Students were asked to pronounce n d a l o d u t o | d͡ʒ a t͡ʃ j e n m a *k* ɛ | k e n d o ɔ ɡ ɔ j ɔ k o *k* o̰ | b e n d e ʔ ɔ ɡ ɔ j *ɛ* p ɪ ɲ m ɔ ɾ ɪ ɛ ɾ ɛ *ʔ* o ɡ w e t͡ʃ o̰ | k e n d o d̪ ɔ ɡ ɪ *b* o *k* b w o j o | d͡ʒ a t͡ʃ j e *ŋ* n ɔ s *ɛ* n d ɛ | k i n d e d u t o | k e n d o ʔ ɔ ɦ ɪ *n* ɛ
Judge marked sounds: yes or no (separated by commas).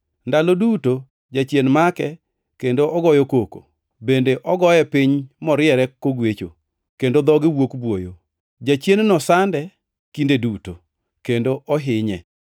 yes, yes, yes, no, no, yes, no, no, no